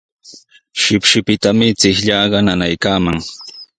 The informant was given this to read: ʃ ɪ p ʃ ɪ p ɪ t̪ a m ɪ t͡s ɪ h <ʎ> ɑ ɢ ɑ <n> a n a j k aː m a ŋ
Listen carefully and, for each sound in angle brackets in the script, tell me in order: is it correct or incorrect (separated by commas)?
correct, correct